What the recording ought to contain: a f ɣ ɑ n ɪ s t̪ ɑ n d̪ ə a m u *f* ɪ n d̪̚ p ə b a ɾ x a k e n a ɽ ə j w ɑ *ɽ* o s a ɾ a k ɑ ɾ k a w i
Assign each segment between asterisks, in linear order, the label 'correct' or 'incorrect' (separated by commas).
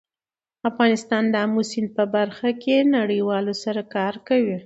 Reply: incorrect, incorrect